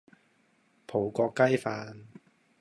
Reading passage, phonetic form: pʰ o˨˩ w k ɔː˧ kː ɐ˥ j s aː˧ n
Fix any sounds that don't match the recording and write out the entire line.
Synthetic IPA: pʰ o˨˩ w k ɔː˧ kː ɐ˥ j f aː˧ n